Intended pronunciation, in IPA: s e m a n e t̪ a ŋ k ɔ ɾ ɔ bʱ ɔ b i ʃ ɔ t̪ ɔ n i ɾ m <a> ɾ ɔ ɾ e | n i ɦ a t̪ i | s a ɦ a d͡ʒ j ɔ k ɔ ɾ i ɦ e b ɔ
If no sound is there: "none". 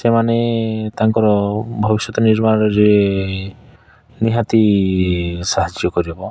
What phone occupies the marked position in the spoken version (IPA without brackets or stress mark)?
a